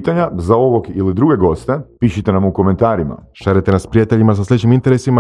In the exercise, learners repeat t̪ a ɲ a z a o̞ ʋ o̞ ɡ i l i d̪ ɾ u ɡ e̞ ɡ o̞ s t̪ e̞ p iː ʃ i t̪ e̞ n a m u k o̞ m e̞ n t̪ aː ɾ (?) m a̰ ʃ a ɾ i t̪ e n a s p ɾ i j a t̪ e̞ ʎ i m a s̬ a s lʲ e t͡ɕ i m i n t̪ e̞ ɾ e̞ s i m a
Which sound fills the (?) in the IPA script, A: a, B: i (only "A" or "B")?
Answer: B